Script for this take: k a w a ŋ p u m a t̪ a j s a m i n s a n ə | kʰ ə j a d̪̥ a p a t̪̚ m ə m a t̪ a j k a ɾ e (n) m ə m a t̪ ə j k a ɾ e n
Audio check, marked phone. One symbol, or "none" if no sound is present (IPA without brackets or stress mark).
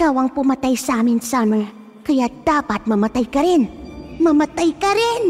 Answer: n